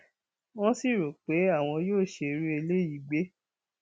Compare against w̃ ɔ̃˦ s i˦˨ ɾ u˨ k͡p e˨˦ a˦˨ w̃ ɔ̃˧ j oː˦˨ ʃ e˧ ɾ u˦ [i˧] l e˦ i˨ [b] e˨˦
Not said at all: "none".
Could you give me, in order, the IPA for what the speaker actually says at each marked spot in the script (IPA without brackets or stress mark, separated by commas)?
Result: e˧, ɡ͡b